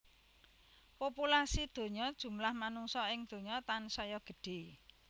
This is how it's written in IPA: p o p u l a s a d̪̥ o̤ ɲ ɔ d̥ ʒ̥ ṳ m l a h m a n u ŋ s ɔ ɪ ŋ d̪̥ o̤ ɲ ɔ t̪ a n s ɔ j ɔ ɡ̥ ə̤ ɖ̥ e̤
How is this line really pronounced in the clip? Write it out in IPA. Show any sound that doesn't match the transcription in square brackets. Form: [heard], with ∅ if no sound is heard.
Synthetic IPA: p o p u l a s [i] d̪̥ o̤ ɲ ɔ d̥ ʒ̥ ṳ m l a h m a n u ŋ s ɔ ɪ ŋ d̪̥ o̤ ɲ ɔ t̪ a n s ɔ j ɔ ɡ̥ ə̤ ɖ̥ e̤

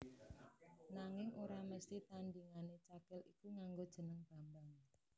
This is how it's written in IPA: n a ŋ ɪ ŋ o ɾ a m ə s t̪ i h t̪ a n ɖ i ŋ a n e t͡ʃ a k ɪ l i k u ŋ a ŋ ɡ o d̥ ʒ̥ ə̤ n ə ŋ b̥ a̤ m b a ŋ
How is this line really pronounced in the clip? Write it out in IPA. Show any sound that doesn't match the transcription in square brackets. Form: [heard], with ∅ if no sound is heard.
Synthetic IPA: n a ŋ ɪ ŋ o ɾ a m ə s t̪ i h t̪ a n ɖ i ŋ a n e t͡ʃ a k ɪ l i k u ŋ a ŋ ɡ o d̥ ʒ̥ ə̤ n ə ŋ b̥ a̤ m b a ŋ

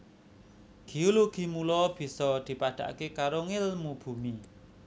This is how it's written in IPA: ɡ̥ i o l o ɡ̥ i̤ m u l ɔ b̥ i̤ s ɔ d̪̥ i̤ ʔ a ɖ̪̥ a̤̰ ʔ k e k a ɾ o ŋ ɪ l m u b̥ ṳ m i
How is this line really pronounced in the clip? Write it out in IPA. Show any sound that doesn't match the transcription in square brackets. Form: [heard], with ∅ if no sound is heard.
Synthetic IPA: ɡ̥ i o l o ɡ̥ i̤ m u l ɔ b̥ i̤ s ɔ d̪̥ i̤ [p] a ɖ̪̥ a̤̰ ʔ k e k a ɾ o ŋ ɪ l m u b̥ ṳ m i

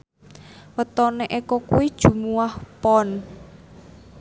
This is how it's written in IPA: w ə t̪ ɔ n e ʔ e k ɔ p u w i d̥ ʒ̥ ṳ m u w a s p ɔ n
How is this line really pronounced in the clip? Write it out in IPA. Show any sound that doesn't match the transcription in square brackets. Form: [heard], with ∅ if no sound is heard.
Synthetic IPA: w ə t̪ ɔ n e ʔ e k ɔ [k] u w i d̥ ʒ̥ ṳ m u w a [h] p ɔ n

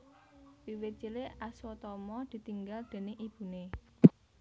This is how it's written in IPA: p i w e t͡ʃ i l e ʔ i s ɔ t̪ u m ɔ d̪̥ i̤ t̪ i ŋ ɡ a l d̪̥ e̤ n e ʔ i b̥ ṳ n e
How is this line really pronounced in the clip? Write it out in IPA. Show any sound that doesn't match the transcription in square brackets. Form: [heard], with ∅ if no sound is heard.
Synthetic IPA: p i w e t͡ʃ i l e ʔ [a] s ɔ t̪ [ɔ] m ɔ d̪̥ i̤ t̪ i ŋ ɡ a l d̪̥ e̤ n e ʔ i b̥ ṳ n e

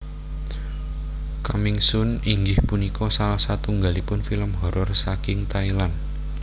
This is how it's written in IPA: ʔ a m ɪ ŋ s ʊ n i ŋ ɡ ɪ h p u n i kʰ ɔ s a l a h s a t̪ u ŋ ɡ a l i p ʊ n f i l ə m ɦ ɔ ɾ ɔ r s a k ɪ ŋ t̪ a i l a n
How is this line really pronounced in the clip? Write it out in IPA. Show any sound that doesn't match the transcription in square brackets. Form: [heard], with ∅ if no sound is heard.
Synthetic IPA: [k] a m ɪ ŋ s ʊ n i ŋ ɡ ɪ h p u n i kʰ ɔ s a l a h s a t̪ u ŋ ɡ a l i p ʊ n f i l ə m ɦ ɔ ɾ ɔ r s a k ɪ ŋ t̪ a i l a n

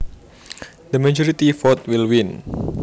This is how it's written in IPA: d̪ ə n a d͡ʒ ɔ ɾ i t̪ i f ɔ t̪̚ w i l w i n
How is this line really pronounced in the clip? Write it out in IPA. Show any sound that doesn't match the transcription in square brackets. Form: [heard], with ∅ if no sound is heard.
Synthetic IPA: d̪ ə [m] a d͡ʒ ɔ ɾ i t̪ i f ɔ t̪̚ w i l w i n

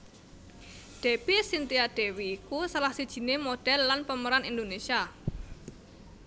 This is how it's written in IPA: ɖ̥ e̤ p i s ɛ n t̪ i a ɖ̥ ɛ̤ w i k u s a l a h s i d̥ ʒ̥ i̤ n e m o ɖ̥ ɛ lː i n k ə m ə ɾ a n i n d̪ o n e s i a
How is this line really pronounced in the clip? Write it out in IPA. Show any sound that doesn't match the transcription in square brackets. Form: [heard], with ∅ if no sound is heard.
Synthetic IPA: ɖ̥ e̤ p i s [i] n t̪ i a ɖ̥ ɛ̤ w [iː] k u s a l a h s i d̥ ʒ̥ i̤ n e m o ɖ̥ ɛ lː [a] n [p] ə m ə ɾ a n i n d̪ o n e s i a

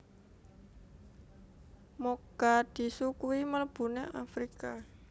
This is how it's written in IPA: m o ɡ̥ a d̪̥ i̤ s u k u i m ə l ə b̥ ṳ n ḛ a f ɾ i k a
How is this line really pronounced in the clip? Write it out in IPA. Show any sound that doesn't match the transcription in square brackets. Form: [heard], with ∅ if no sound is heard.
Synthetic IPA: m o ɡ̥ a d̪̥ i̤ s u k u i m ə l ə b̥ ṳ n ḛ a f ɾ i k a

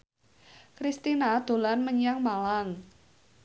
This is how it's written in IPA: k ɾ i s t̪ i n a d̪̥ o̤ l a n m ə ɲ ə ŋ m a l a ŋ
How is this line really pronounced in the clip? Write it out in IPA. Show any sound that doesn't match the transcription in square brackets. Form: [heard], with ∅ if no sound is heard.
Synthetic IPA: k ɾ i s t̪ i n a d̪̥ o̤ l a n m ə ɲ [a] ŋ m a l a ŋ

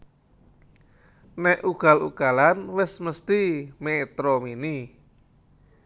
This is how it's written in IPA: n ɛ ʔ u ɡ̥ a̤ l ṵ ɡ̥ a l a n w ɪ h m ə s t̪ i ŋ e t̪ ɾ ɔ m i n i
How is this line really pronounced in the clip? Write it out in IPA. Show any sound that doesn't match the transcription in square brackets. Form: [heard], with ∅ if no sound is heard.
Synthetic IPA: n ɛ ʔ u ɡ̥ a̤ l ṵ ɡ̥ a l a n w ɪ [s] m ə s t̪ i [m] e t̪ ɾ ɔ m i n i

